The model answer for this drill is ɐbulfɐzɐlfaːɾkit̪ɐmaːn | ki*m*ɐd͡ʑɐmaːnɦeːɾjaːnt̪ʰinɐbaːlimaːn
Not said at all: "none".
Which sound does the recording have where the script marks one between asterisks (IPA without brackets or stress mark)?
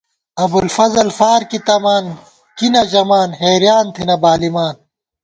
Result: n